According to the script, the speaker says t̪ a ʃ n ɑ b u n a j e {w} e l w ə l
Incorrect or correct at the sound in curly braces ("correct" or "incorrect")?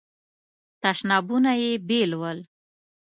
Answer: incorrect